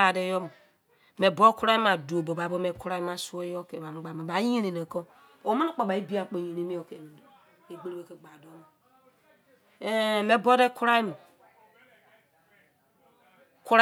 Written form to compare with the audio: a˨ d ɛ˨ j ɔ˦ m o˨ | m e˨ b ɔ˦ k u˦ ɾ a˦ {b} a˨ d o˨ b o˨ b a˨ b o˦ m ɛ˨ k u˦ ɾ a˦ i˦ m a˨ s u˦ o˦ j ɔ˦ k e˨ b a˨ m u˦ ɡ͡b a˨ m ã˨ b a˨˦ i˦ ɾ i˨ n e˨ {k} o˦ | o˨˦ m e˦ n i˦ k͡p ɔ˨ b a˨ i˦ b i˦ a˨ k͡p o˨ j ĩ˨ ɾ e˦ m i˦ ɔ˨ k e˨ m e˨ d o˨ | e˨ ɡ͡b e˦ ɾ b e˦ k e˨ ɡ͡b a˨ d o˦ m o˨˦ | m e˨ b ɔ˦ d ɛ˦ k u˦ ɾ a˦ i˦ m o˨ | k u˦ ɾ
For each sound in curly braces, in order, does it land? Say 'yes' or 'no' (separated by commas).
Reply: no, yes